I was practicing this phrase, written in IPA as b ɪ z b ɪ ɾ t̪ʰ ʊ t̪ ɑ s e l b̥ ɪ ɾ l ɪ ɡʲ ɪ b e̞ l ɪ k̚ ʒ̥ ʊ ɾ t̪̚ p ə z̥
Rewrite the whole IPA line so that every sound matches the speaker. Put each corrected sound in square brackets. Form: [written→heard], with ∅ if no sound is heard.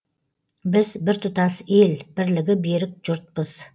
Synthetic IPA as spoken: b ɪ z b ɪ ɾ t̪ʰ ʊ t̪ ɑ s e l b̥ ɪ ɾ l ɪ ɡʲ ɪ b e̞ [l→ɾ] ɪ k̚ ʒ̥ ʊ ɾ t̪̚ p ə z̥